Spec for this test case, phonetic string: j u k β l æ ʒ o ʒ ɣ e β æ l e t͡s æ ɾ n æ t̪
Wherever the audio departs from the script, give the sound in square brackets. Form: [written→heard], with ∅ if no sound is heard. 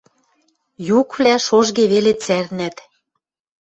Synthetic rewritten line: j u k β l æ [ʒ→ʃ] o ʒ ɣ e β [æ→e] l e t͡s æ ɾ n æ t̪